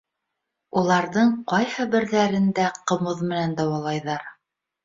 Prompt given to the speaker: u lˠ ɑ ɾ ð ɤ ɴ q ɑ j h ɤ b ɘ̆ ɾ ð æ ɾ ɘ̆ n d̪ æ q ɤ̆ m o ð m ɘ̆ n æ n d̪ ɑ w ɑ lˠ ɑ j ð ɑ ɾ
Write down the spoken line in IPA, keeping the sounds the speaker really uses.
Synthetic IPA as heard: u lˠ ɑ ɾ ð ɤ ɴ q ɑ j h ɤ b ɘ̆ ɾ ð æ ɾ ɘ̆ n d̪ æ q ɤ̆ m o ð m ɘ̆ n æ n d̪ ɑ w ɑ lˠ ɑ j ð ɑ ɾ